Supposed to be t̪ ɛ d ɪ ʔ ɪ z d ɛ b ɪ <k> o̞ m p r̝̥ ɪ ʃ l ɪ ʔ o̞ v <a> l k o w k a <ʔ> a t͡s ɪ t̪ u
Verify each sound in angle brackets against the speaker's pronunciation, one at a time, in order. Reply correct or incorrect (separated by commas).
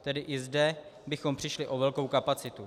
incorrect, incorrect, incorrect